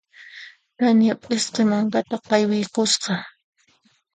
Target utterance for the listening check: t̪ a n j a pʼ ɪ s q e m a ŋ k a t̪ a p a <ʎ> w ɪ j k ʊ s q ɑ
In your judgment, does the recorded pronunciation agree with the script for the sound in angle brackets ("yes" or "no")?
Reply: no